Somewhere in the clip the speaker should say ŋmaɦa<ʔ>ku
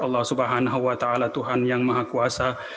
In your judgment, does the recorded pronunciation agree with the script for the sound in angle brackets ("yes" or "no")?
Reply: no